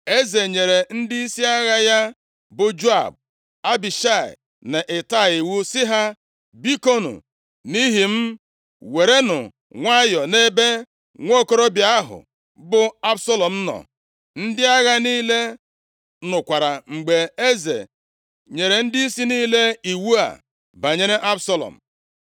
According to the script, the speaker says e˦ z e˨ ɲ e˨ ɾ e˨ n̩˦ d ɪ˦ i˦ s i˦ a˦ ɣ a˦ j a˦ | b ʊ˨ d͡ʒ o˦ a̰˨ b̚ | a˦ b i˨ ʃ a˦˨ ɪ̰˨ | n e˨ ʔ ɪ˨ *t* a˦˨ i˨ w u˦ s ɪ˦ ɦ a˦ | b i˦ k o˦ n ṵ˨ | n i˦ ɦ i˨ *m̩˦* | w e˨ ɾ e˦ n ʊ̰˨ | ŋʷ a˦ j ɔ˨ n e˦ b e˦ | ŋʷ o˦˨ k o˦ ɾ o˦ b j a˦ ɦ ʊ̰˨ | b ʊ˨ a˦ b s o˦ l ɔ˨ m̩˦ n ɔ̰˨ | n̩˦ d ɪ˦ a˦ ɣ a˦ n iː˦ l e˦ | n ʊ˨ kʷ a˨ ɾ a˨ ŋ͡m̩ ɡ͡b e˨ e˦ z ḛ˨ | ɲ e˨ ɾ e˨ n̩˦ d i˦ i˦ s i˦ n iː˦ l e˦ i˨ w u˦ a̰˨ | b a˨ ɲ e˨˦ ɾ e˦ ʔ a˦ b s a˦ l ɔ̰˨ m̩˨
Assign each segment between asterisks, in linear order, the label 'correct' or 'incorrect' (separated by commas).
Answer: correct, correct